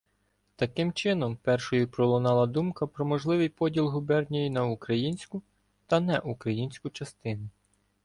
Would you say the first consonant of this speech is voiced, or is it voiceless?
voiceless